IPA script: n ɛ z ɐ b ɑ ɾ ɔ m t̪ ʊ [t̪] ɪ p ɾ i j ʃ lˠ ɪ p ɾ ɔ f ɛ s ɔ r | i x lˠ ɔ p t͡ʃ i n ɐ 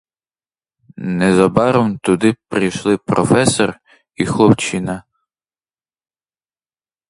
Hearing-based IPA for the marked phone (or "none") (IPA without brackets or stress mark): d̪